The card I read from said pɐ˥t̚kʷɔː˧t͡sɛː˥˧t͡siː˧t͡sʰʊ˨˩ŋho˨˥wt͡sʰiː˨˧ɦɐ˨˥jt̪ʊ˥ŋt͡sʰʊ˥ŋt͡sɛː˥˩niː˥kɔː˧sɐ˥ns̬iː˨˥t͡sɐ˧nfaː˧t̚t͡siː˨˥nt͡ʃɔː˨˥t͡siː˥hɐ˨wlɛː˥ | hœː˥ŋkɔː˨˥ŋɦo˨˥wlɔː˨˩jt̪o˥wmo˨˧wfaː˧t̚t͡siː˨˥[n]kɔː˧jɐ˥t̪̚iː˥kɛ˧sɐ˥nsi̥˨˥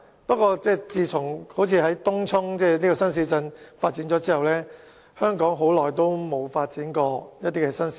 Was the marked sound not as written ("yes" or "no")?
no